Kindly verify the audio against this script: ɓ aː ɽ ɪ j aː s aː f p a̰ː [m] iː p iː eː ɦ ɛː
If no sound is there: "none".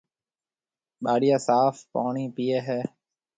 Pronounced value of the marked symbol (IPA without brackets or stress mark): ɳ